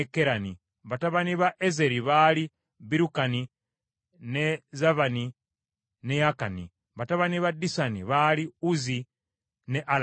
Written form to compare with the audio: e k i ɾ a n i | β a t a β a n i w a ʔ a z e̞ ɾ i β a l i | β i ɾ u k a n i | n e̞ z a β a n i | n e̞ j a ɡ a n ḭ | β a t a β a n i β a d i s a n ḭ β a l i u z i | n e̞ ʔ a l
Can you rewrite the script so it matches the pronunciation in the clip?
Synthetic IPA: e k e ɾ a n i | β a t a β a n i β a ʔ e z e̞ ɾ i β a l i | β i ɾ u k a n i | n e̞ z a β a n i | n e̞ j a k a n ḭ | β a t a β a n i β a d i s a n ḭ β a l i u z i | n e̞ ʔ a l

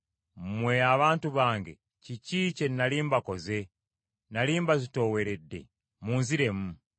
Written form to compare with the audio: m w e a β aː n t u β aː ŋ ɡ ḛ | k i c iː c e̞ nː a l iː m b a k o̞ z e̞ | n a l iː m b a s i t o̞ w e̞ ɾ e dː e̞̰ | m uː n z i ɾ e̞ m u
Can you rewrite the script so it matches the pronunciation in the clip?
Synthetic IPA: m w e a β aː n t u β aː ŋ ɡ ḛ | c i c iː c e̞ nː a l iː m b a k o̞ z e̞ | n a l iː m b a z i t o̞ w e̞ ɾ e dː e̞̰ | m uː n z i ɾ e̞ m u

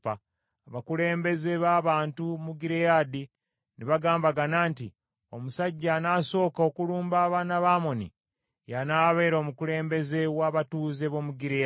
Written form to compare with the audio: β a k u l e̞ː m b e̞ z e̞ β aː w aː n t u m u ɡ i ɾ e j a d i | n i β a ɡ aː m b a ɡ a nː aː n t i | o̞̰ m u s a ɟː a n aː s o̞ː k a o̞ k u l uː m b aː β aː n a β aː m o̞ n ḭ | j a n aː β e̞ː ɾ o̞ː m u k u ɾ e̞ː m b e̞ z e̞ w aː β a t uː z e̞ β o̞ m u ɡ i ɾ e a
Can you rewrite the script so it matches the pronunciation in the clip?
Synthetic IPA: β a k u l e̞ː m b e̞ z e̞ β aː β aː n t u m u ɡ i ɾ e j a d i | n i β a ɡ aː m b a ɡ a n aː n t i | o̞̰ m u s a ɟː a n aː s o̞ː k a o̞ k u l uː m b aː β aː n a β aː m o̞ n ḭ | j a n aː β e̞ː ɾ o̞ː m u k u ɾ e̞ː m b e̞ z e̞ w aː β a t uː z e̞ β o̞ m u ɡ i ɾ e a

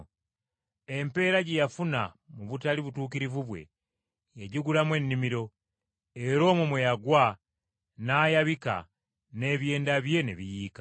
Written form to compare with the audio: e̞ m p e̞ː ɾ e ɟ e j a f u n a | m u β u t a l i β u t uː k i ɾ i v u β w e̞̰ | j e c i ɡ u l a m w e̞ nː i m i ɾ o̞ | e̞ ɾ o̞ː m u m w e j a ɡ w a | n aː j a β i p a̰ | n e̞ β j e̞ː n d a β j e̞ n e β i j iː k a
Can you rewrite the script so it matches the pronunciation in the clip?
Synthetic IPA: e̞ m p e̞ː ɾ a ɟ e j a f u n a | m u β u t a l i β u t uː k i ɾ i v u β w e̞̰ | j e ɟ i ɡ u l a m w e̞ nː i m i ɾ o̞ | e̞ ɾ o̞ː m u m w e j a ɡ w a | n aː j a β i k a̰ | n e̞ β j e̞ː n d a β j e̞ n e β i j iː k a

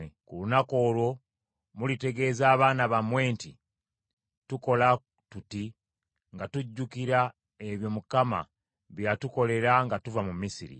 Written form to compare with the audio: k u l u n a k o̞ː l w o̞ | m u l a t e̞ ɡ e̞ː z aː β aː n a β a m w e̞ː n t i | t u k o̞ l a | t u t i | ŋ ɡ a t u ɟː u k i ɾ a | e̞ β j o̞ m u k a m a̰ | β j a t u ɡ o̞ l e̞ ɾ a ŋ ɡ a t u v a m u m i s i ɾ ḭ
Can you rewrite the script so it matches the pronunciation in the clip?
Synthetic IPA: k u l u n a k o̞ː l w o̞ | m u l i t e̞ ɡ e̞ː z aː β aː n a β a m w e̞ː n t i | t u k o̞ l a | t u t i | ŋ ɡ a t u ɟː u k i ɾ a | e̞ β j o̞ m u k a m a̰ | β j a t u k o̞ l e̞ ɾ a ŋ ɡ a t u v a m u m i s i ɾ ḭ

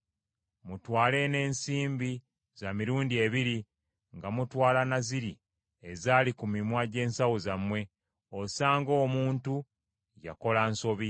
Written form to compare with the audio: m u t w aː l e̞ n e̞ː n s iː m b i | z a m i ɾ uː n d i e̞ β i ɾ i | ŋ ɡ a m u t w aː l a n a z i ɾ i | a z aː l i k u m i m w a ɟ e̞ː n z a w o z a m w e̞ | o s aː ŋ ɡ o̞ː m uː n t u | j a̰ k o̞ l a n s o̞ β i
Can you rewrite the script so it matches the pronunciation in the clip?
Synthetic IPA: m u t w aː l e̞ n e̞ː n s iː m b i | z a m i ɾ uː n d i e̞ β i ɾ i | ŋ ɡ a m u t w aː l a n a z i ɾ i | e z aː l i k u m i m w a ɟ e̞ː n s a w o z a m w e̞ | o s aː ŋ ɡ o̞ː m uː n t u | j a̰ k o̞ l a n s o̞ β i

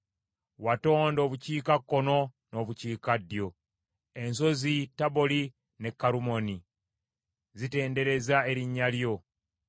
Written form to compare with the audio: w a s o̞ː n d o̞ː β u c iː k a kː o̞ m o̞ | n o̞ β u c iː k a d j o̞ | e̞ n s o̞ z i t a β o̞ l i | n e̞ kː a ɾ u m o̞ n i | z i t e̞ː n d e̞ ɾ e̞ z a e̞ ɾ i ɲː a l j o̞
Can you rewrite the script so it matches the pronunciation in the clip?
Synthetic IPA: w a t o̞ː n d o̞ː β u c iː k a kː o̞ n o̞ | n o̞ β u c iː k a d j o̞ | e̞ n s o̞ z i t a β o̞ l i | n e̞ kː a ɾ u m o̞ n i | z i t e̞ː n d e̞ ɾ e̞ z a e̞ ɾ i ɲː a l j o̞

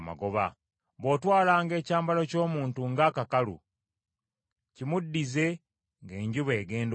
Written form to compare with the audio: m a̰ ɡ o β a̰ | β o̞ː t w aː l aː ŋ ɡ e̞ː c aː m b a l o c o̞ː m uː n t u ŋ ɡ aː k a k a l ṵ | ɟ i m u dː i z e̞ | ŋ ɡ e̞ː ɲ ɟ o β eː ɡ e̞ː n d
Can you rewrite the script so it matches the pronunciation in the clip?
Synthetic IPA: m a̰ ɡ o β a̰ | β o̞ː t w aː l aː ŋ ɡ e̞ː c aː m b a l o c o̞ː m uː n t u ŋ ɡ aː k a k a l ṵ | c i m u dː i z e̞ | ŋ ɡ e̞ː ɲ ɟ u β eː ɡ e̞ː n d

